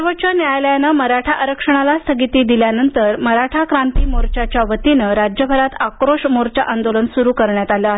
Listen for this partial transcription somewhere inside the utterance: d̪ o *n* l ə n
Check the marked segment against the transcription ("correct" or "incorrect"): incorrect